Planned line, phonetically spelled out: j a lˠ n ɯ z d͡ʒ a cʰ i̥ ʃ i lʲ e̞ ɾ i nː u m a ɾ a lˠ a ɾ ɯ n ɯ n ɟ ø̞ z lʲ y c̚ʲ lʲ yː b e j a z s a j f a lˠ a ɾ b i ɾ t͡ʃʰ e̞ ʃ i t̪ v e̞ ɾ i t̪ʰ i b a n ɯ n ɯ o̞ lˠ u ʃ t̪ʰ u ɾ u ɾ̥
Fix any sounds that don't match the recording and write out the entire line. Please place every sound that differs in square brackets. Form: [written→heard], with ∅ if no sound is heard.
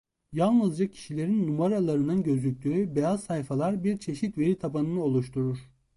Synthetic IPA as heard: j a lˠ n ɯ z d͡ʒ a cʰ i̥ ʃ i lʲ e̞ ɾ i nː u m a ɾ a lˠ a ɾ ɯ n ɯ n ɟ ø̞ z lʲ y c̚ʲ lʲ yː b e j a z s a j f a lˠ a ɾ b i ɾ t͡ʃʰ e̞ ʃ i t̪ v e̞ ɾ i t̪ʰ [i→a] b a n ɯ n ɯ o̞ lˠ u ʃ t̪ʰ u ɾ u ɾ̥